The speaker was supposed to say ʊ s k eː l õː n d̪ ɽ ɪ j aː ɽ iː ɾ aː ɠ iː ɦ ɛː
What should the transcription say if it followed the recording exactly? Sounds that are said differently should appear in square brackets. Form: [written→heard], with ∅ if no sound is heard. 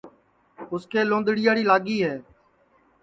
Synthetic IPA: ʊ s k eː l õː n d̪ ɽ ɪ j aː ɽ iː [ɾ→l] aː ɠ iː ɦ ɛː